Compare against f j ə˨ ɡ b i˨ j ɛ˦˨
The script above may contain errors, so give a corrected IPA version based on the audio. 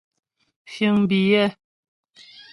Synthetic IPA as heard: f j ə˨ ŋ b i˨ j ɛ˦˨